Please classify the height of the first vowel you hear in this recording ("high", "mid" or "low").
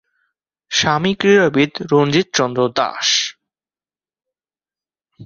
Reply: low